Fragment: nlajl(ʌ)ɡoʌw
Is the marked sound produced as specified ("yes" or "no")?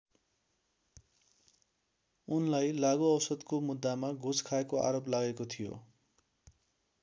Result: no